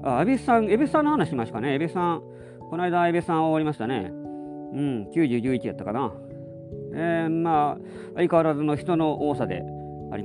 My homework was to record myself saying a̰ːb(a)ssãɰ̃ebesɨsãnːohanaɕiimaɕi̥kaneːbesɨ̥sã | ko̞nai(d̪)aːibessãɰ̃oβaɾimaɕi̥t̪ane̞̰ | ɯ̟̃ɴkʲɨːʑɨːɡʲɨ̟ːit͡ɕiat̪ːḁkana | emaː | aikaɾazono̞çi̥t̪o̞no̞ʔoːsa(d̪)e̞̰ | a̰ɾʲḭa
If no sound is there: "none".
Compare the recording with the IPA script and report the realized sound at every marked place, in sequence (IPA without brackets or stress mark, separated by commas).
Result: e, d̪, d̪